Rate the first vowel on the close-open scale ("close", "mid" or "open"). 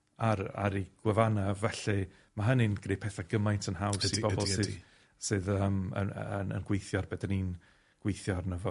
open